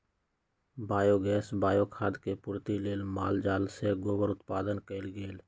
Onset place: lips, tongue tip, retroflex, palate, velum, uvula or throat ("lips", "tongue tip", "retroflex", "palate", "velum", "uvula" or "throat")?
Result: lips